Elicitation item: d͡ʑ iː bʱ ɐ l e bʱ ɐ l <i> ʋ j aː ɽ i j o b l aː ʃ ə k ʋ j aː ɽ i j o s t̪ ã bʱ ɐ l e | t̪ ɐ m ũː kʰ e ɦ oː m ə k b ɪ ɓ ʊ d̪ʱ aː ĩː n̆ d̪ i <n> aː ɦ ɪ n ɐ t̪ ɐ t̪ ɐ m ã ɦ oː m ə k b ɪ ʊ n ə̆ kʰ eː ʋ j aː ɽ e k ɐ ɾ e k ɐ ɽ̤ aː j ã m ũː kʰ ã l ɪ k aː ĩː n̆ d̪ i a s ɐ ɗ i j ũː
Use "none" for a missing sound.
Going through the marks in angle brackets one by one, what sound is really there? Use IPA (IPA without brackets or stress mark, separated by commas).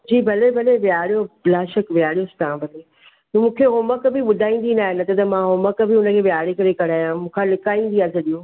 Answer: e, n